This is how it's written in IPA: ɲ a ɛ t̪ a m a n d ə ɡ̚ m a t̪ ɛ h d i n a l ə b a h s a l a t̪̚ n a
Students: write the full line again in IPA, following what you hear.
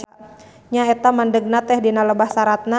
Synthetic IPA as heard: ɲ a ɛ t̪ a m a n d ə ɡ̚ n a t̪ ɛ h d i n a l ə b a h s a ɾ a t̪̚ n a